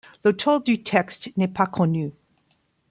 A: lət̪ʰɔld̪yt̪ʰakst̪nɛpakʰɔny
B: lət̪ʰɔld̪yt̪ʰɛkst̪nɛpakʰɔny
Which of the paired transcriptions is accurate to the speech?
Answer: B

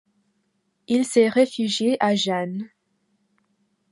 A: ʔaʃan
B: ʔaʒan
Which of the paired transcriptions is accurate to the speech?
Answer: B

